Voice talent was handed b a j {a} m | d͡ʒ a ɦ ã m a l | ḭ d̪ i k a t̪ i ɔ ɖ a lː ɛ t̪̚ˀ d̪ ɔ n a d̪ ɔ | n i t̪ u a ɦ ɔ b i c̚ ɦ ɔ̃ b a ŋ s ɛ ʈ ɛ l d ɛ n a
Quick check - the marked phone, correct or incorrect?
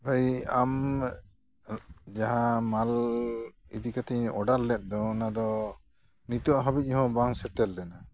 correct